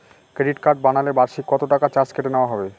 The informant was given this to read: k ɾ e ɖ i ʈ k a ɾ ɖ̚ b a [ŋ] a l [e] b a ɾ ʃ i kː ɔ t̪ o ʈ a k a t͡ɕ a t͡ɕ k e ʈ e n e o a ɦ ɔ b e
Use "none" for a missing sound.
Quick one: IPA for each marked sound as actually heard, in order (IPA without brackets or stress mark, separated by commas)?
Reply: n, e